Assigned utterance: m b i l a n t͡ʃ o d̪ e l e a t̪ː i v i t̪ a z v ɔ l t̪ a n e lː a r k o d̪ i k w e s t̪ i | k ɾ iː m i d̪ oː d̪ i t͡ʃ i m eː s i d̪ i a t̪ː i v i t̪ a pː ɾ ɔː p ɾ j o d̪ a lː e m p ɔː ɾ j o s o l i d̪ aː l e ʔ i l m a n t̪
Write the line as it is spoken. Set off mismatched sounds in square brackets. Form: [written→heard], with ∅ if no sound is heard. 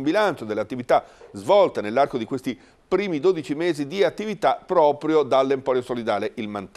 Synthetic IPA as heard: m b i l a n t͡ʃ o d̪ e l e a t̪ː i v i t̪ a z v ɔ l t̪ a n e lː a r k o d̪ i k w e s t̪ i | [k→p] ɾ iː m i d̪ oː d̪ i t͡ʃ i m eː [s→z] i d̪ i a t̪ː i v i t̪ a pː ɾ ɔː p ɾ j o d̪ a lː e m p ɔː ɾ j o s o l i d̪ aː l e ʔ i l m a n t̪